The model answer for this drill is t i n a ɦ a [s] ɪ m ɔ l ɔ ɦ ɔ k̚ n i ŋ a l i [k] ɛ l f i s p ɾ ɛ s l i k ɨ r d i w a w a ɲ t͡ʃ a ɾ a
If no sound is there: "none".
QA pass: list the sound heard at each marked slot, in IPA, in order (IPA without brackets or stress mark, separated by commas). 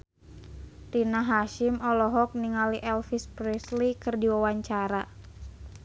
ʃ, ʔ